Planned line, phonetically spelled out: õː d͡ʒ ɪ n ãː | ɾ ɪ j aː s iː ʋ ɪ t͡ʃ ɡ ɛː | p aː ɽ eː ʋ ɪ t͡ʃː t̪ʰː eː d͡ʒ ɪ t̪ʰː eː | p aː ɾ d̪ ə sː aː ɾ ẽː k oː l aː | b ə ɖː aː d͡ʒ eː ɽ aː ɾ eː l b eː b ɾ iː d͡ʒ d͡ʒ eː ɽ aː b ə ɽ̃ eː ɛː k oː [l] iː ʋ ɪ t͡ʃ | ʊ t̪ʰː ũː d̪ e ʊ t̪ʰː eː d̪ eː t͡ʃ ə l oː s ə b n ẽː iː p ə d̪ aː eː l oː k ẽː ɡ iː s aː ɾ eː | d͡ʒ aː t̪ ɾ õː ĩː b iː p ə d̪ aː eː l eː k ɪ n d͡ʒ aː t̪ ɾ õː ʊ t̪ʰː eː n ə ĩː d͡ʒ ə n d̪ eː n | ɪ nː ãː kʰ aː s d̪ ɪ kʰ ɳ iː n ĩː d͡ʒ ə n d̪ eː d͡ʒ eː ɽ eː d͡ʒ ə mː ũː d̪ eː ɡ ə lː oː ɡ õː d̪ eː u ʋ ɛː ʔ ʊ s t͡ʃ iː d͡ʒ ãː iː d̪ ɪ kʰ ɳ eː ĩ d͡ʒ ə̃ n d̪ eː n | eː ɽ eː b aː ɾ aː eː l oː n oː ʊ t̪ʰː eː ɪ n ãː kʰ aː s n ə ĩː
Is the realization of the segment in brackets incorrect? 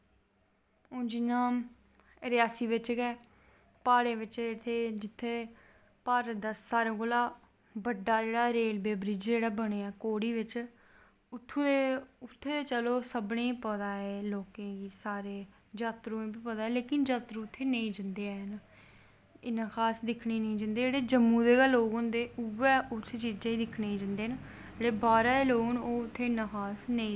yes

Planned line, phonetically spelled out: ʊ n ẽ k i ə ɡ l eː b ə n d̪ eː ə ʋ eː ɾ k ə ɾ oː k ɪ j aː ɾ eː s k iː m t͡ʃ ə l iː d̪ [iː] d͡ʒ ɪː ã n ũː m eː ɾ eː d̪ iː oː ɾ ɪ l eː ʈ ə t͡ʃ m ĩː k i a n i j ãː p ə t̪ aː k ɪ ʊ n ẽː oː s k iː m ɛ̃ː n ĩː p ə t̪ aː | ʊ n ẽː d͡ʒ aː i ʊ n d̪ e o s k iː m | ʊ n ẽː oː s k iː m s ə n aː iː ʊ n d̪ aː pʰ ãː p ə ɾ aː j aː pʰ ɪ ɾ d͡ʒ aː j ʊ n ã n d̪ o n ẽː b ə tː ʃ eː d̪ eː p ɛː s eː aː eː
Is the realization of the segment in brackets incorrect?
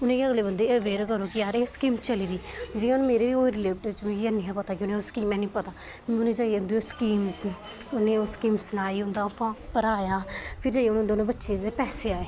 no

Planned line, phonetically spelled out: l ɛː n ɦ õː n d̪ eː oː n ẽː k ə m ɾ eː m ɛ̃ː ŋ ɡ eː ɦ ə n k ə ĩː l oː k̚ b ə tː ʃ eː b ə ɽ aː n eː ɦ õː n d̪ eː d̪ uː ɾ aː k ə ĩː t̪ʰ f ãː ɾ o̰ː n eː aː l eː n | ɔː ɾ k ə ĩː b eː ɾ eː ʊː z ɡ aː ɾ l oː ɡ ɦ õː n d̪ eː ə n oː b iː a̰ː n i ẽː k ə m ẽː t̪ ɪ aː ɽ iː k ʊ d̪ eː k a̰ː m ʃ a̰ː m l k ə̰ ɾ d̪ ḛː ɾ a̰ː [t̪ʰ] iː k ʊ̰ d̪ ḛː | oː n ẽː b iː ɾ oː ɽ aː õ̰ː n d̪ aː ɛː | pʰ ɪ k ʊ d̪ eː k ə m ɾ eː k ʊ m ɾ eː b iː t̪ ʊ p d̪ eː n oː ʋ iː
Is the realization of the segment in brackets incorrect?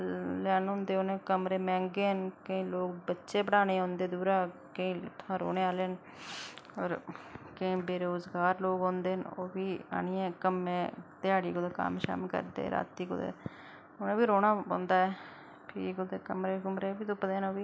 yes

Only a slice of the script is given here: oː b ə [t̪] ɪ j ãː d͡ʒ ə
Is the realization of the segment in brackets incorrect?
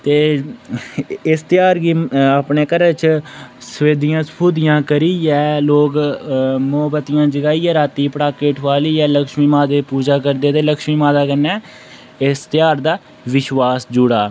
no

